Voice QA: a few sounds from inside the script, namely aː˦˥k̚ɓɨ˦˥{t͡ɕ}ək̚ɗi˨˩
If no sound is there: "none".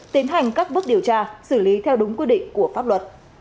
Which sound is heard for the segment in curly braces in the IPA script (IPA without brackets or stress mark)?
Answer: none